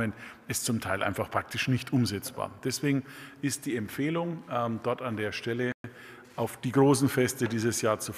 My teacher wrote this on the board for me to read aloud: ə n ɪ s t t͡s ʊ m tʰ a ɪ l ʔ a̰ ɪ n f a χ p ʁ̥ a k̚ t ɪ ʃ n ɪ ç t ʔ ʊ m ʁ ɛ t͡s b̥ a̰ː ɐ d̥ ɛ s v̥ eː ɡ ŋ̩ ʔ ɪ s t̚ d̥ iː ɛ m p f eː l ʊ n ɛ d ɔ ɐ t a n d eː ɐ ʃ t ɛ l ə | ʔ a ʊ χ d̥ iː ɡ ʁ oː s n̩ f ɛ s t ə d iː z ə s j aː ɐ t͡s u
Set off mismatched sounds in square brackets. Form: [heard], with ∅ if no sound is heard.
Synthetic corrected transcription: ə n ɪ s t t͡s ʊ m tʰ a ɪ l ʔ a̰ ɪ n f a χ p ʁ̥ a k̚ t ɪ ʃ n ɪ ç t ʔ ʊ m [z] ɛ t͡s b̥ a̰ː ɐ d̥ ɛ s v̥ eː ɡ ŋ̩ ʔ ɪ s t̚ d̥ iː ɛ m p f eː l ʊ [ŋ] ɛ d ɔ ɐ t a n d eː ɐ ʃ t ɛ l ə | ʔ a ʊ [f] d̥ iː ɡ ʁ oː s n̩ f ɛ s t ə d iː z ə s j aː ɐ t͡s u

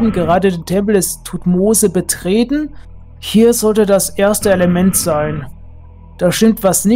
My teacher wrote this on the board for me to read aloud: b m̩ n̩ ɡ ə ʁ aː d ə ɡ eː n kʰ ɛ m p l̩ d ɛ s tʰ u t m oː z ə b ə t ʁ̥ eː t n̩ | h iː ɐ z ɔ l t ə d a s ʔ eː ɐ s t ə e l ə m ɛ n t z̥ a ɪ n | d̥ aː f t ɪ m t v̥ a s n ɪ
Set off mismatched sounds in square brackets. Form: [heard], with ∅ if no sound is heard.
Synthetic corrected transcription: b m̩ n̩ ɡ ə ʁ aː d ə [d] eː n [tʰ] ɛ m p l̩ d ɛ s tʰ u t m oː z ə b ə t ʁ̥ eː t n̩ | h iː ɐ z ɔ l t ə d a s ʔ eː ɐ s t ə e l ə m ɛ n t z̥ a ɪ n | d̥ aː [ʃ] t ɪ m t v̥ a s n ɪ

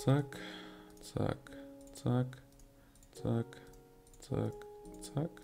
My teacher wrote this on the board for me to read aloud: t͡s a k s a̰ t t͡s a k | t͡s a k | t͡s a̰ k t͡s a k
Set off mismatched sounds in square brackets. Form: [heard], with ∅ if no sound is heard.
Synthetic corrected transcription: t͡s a k [t͡s] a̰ [k] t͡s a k | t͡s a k | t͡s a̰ k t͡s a k

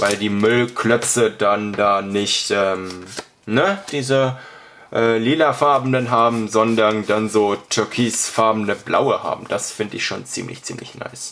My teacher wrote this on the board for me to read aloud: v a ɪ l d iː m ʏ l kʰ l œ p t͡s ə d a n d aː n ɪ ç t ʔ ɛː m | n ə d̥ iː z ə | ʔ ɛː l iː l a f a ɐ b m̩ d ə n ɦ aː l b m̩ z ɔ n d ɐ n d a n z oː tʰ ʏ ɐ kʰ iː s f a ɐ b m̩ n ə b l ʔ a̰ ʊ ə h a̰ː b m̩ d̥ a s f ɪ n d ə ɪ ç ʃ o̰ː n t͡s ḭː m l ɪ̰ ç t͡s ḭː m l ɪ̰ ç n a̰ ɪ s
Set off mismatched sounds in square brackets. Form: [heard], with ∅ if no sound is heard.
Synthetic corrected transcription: v a ɪ l d iː m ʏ l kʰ l œ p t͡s ə d a n d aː n ɪ ç t ʔ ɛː m | n ə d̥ iː z ə | ʔ ɛː l iː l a f a ɐ b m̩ d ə n ɦ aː [∅] b m̩ z ɔ n d ɐ n d a n z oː tʰ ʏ ɐ kʰ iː s f a ɐ b m̩ n ə b l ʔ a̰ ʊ ə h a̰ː b m̩ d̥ a s f ɪ n d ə ɪ ç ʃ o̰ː n t͡s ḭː m l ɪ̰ ç t͡s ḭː m l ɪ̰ ç n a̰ ɪ s

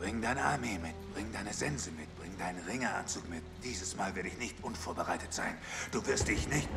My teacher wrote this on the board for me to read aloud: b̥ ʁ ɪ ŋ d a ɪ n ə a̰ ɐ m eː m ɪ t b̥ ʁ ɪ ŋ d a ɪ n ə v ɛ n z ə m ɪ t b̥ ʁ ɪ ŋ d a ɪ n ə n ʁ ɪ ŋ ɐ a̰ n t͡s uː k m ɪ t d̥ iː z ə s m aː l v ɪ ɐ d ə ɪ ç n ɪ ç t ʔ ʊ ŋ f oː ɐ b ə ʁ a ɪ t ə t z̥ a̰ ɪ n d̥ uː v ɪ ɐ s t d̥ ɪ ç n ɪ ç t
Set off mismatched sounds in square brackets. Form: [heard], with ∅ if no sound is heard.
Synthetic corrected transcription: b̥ ʁ ɪ ŋ d a ɪ n ə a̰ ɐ m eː m ɪ t b̥ ʁ ɪ ŋ d a ɪ n ə [z] ɛ n z ə m ɪ t b̥ ʁ ɪ ŋ d a ɪ n ə n ʁ ɪ ŋ ɐ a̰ n t͡s uː k m ɪ t d̥ iː z ə s m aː l v ɪ ɐ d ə ɪ ç n ɪ ç t ʔ ʊ [n] f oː ɐ b ə ʁ a ɪ t ə t z̥ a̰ ɪ n d̥ uː v ɪ ɐ s t d̥ ɪ ç n ɪ ç t

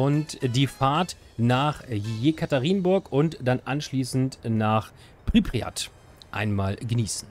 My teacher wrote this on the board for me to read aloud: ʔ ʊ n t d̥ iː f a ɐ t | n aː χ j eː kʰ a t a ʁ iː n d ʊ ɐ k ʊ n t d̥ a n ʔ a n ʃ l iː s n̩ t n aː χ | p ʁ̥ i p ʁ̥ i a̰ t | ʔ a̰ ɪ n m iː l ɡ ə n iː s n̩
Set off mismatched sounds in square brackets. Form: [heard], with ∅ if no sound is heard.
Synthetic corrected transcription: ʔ ʊ n t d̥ iː f a ɐ t | n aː χ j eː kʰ a t a ʁ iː n [b] ʊ ɐ k ʊ n t d̥ a n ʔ a n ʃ l iː s n̩ t n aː χ | p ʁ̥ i p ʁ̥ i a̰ t | ʔ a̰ ɪ n m [aː] l ɡ ə n iː s n̩

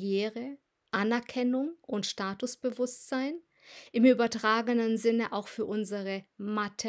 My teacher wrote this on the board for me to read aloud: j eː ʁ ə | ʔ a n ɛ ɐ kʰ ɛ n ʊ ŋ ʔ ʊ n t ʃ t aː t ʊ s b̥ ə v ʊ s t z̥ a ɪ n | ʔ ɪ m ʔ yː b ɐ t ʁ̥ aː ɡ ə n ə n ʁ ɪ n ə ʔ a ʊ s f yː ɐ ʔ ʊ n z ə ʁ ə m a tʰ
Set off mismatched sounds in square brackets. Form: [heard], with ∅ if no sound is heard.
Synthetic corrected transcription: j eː ʁ ə | ʔ a n ɛ ɐ kʰ ɛ n ʊ ŋ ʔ ʊ n t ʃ t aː t ʊ s b̥ ə v ʊ s t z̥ a ɪ n | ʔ ɪ m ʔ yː b ɐ t ʁ̥ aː ɡ ə n ə n [z] ɪ n ə ʔ a ʊ [x] f yː ɐ ʔ ʊ n z ə ʁ ə m a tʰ

